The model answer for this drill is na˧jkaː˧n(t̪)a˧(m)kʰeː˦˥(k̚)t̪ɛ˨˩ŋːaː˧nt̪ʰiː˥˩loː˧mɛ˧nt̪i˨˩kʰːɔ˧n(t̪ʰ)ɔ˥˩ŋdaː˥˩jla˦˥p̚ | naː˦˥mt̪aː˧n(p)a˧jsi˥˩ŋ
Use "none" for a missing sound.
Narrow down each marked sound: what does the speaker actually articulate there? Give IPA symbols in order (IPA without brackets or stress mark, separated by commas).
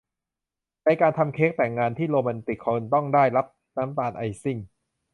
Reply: t̪ʰ, m, k̚, t̪, ʔ